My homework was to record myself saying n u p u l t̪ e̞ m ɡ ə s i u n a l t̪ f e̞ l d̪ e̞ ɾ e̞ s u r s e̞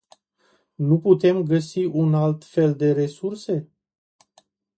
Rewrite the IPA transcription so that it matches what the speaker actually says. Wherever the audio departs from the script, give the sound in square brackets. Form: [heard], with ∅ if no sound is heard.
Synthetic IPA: n u p u [∅] t̪ e̞ m ɡ ə s i u n a l t̪ f e̞ l d̪ e̞ ɾ e̞ s u r s e̞